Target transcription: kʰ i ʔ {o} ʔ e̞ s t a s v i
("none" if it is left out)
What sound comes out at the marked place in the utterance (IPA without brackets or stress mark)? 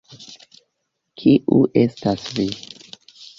u